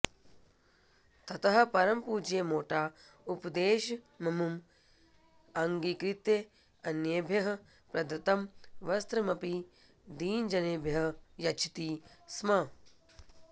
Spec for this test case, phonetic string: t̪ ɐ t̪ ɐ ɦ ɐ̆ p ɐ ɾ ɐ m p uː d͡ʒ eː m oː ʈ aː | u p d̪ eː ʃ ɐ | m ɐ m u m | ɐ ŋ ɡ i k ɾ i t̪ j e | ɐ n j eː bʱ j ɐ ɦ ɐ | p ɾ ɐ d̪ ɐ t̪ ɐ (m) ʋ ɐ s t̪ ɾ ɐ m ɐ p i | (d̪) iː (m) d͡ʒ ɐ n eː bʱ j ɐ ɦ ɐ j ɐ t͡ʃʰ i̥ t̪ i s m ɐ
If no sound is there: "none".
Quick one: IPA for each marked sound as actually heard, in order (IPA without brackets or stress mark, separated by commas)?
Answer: m, d̪, n